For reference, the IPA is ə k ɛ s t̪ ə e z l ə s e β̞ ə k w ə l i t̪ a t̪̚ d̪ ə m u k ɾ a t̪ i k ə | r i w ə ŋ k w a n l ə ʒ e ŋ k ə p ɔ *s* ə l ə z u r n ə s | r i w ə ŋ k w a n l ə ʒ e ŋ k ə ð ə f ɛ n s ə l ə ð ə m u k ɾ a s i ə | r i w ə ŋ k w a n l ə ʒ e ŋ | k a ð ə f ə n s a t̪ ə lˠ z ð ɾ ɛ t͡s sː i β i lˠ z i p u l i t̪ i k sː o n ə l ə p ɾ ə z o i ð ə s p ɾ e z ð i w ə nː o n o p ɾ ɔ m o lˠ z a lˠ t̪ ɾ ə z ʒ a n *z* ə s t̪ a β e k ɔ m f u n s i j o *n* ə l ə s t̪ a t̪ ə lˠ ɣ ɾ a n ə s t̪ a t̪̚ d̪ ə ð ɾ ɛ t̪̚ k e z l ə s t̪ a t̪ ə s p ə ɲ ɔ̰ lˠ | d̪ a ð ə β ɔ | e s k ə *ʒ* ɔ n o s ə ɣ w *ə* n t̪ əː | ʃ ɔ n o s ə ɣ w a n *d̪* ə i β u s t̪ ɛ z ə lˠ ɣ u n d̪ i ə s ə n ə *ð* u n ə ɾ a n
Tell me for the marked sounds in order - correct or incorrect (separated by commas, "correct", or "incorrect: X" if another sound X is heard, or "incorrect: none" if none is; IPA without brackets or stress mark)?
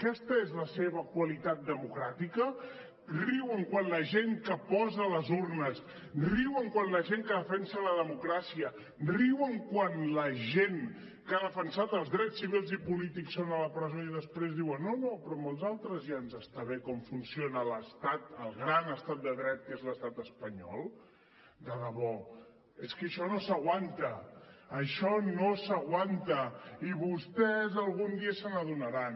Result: incorrect: z, correct, correct, incorrect: ʃ, incorrect: a, incorrect: t̪, correct